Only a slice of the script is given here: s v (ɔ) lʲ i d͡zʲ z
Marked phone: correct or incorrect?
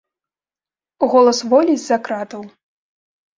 correct